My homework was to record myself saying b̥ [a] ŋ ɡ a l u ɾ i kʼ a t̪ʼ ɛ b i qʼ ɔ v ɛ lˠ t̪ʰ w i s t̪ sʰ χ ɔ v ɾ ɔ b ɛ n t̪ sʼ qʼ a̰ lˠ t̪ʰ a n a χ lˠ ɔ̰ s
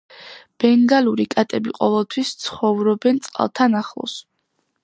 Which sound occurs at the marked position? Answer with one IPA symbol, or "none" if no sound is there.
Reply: ɛ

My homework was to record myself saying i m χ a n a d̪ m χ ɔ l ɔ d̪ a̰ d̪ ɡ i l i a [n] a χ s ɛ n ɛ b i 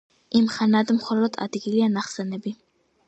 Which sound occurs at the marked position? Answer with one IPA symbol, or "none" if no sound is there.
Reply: n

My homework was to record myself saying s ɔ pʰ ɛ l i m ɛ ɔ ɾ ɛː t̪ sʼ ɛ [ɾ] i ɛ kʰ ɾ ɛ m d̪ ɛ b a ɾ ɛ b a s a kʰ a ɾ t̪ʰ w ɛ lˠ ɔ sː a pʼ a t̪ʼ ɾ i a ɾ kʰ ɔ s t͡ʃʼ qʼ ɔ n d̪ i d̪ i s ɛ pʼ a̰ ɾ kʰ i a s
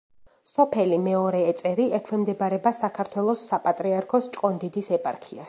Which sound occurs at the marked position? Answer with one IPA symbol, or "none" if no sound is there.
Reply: ɾ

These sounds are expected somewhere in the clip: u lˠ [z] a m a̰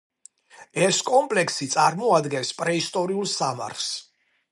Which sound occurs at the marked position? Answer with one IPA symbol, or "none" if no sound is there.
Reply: s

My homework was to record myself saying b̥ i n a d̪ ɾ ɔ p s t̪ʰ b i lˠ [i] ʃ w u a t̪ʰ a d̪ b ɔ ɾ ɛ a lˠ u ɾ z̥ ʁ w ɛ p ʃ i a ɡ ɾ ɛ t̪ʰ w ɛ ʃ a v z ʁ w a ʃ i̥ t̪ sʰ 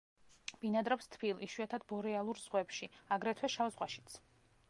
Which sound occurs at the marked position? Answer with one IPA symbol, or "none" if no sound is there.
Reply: i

